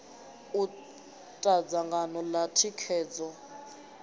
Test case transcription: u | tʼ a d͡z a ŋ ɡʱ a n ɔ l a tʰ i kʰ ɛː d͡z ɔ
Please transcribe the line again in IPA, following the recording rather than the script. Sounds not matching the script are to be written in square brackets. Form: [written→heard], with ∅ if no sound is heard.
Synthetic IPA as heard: u | tʼ a d͡z a ŋ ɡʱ a n ɔ l a tʰ i kʰ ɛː d͡z ɔ

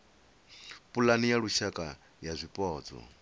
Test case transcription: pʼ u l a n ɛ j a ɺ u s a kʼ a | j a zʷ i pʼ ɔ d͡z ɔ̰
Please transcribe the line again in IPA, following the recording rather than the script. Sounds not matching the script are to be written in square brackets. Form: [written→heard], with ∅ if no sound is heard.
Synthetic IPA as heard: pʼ u l a n [ɛ→i] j a ɺ u [s→ʃ] a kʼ a | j a zʷ i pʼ [ɔ→ɔː] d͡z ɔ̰

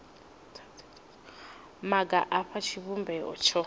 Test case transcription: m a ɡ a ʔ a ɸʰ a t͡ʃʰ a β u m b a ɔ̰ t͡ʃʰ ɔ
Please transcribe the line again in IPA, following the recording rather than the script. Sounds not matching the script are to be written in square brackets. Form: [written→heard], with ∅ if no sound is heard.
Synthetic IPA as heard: m a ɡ a ʔ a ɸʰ a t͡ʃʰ [a→i] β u m b [a→ɛ] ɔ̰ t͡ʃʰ ɔ

